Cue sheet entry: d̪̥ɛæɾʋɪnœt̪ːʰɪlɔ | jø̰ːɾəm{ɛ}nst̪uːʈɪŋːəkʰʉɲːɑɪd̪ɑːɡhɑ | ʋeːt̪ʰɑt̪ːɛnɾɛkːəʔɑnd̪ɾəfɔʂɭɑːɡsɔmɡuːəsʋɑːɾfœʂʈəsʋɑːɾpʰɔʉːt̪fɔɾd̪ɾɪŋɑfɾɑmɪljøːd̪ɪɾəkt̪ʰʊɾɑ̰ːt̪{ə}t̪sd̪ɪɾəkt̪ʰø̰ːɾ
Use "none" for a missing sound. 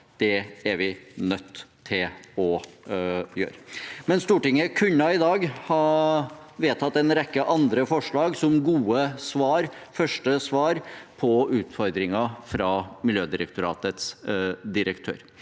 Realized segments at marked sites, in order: ɛ, ə

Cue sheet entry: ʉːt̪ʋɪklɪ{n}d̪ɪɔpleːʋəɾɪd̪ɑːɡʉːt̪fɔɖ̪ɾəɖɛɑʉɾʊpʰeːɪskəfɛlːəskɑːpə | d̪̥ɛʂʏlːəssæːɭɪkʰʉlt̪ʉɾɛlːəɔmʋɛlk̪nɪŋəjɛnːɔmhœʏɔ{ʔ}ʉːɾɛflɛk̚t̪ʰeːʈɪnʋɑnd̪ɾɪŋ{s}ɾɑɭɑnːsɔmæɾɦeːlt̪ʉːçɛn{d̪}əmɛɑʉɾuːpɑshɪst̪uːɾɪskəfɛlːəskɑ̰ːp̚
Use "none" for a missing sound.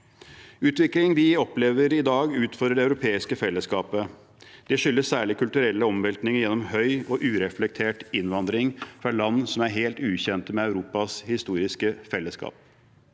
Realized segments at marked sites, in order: ŋ, ʔ, f, t̪

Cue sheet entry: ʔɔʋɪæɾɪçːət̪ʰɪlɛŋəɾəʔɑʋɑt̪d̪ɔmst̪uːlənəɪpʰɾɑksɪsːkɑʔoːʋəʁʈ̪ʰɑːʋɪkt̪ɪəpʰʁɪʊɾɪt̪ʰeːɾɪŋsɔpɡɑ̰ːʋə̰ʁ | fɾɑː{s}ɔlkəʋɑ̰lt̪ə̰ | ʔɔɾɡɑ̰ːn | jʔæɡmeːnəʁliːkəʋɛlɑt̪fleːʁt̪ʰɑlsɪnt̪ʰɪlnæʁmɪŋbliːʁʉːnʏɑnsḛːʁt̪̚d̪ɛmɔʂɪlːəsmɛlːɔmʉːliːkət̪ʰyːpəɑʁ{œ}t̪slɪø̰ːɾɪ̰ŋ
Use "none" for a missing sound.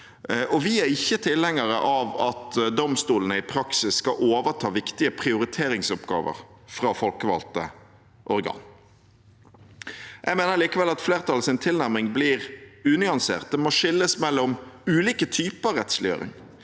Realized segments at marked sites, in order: f, ɛ

